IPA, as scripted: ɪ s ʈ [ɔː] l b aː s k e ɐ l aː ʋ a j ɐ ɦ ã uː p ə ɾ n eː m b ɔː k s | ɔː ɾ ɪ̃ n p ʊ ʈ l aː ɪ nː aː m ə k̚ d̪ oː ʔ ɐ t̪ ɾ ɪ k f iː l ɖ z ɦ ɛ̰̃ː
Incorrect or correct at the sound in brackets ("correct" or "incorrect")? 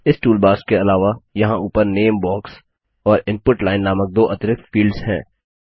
incorrect